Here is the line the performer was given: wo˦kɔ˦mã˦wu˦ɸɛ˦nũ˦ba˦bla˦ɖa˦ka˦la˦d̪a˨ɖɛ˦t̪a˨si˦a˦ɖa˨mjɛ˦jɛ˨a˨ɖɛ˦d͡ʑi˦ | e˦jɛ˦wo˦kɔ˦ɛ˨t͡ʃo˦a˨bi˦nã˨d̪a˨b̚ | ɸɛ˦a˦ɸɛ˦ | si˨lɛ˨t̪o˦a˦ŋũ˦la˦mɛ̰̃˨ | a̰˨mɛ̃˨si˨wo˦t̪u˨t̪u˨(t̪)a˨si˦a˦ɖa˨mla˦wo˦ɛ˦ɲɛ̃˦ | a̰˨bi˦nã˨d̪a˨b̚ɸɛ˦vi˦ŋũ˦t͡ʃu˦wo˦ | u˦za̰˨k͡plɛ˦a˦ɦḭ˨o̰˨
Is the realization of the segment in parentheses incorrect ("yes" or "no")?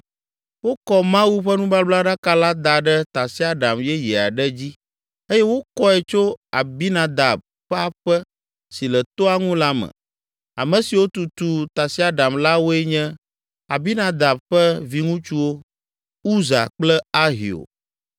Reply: no